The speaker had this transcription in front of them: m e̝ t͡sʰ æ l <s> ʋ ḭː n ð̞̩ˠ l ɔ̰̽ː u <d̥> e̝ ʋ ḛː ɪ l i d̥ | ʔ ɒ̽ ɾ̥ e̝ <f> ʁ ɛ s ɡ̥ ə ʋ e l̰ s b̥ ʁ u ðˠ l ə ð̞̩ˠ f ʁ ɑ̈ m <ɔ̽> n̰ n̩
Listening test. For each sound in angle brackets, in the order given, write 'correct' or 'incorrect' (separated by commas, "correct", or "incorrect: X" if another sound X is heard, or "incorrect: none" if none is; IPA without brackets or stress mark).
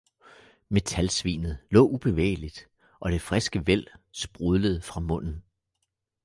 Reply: correct, incorrect: b̥, correct, correct